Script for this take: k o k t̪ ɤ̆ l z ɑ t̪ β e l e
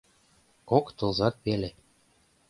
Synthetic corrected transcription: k o k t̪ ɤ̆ l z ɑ t̪ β e l e